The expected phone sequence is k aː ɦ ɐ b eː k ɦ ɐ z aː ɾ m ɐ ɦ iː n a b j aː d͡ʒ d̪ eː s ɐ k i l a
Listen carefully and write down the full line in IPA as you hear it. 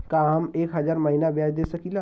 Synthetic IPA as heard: k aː ɦ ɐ m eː k ɦ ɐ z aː ɾ m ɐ ɦ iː n a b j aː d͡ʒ d̪ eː s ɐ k i l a